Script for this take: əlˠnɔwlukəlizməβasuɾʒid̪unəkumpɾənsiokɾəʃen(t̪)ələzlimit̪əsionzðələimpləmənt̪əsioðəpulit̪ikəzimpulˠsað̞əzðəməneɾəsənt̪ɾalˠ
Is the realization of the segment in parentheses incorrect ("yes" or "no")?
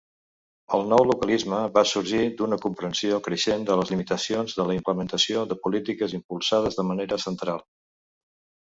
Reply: yes